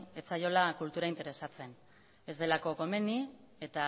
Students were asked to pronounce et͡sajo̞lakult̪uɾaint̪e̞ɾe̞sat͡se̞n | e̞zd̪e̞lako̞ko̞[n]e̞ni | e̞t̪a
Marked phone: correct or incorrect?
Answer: incorrect: m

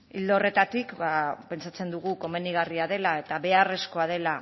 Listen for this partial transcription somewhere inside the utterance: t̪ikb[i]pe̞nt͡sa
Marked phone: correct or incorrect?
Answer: incorrect: a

